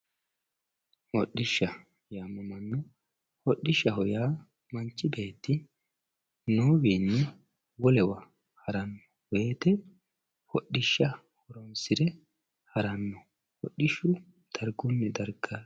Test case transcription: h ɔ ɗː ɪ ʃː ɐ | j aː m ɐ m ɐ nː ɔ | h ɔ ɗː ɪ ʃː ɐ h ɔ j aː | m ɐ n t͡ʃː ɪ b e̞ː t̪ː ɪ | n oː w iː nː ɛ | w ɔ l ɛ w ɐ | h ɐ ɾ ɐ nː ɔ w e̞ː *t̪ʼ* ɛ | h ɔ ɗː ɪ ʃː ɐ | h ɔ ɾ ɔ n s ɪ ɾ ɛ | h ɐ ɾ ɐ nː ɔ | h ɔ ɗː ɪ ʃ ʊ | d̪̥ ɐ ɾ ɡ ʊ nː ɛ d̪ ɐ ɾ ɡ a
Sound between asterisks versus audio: incorrect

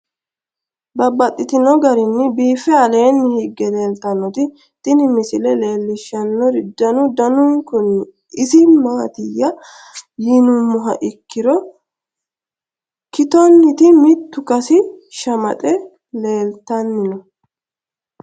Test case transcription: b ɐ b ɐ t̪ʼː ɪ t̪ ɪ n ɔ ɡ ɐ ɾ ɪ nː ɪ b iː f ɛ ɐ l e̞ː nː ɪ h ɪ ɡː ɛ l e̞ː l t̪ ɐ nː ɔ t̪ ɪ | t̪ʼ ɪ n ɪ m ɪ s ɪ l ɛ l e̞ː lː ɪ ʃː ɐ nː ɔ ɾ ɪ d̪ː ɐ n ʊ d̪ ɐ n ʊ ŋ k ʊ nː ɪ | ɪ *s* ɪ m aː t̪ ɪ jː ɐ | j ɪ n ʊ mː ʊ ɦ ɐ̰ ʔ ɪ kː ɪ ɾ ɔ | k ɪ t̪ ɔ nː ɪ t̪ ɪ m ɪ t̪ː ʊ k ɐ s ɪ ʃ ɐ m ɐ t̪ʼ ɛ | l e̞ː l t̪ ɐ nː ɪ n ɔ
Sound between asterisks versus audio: correct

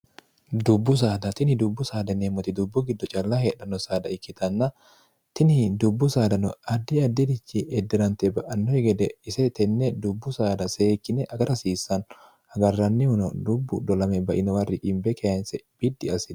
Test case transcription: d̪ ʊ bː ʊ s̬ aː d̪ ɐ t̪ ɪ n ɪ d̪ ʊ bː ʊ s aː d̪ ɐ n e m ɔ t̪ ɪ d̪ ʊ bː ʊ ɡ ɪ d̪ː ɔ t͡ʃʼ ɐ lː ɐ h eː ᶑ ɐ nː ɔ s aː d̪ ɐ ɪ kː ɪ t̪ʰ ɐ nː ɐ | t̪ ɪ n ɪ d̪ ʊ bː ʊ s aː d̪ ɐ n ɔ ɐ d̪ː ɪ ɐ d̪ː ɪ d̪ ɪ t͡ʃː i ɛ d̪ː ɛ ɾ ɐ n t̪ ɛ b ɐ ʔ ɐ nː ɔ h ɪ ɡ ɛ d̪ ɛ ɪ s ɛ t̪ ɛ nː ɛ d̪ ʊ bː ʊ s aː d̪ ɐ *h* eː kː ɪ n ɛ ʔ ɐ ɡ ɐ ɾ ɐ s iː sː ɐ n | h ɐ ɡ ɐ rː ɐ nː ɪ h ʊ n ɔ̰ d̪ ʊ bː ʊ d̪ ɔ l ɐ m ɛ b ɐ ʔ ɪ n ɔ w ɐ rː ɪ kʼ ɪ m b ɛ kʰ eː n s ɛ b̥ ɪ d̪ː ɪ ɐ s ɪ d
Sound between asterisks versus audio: incorrect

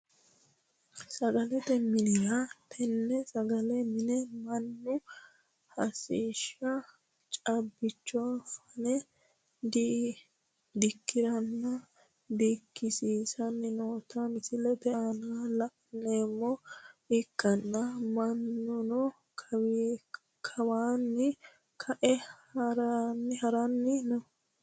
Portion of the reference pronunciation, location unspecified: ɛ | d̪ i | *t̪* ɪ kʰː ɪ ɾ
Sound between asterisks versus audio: incorrect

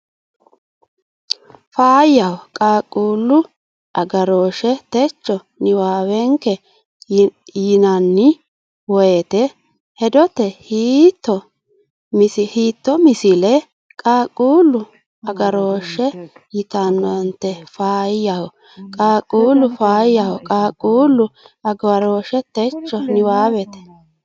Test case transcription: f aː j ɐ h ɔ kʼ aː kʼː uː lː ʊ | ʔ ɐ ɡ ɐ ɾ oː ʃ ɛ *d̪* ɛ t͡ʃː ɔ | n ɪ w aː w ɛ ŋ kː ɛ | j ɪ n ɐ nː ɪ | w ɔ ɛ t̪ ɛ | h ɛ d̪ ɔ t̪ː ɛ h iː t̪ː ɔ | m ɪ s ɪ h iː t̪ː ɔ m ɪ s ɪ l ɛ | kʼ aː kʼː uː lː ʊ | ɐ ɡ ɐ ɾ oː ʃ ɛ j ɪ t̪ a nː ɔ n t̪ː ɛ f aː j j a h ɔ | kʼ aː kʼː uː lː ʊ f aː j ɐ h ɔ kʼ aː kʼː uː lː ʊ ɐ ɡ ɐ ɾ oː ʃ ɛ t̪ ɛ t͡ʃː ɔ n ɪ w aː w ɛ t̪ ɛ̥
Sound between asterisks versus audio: incorrect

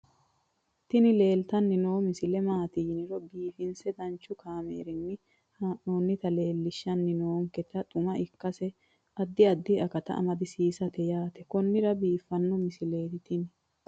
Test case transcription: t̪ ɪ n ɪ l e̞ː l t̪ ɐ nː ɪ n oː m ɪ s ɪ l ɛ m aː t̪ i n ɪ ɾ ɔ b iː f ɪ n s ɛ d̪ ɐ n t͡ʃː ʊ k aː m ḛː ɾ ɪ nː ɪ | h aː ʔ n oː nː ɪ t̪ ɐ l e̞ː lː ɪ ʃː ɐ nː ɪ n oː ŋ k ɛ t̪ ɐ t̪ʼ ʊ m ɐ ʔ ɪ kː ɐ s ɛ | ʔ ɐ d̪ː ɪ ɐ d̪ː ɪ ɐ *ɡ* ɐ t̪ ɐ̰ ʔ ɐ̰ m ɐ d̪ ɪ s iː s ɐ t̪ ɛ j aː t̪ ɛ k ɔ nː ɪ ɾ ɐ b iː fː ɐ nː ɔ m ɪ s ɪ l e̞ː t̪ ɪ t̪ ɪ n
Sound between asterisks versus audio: incorrect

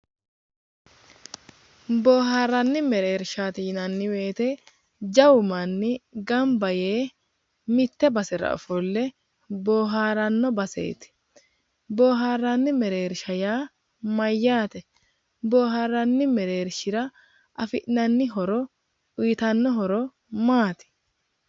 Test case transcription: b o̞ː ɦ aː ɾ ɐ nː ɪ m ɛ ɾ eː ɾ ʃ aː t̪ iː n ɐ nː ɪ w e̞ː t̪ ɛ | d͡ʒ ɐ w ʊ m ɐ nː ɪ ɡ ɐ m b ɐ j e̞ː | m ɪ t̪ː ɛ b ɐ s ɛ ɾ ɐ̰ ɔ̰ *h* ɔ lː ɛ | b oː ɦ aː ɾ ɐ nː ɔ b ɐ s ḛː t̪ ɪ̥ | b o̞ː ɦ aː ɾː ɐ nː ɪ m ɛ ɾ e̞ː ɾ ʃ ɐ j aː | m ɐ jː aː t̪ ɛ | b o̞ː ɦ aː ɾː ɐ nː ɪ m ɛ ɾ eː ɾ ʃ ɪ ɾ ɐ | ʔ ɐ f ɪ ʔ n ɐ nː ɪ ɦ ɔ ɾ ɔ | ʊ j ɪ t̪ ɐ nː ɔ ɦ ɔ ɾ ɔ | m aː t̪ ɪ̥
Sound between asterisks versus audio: incorrect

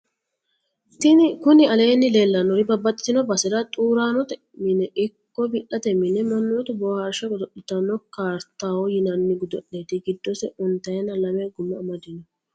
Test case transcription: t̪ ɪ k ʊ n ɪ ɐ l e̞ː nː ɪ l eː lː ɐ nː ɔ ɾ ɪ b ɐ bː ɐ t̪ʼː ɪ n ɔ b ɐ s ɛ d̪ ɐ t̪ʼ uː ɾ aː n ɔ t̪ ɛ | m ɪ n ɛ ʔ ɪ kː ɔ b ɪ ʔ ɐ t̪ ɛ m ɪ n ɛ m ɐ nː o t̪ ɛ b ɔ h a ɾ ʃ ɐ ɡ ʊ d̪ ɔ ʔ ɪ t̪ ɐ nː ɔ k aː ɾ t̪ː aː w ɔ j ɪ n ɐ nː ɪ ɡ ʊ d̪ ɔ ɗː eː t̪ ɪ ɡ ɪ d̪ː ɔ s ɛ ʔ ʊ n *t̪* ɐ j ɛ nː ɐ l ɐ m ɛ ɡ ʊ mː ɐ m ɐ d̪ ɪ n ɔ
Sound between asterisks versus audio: correct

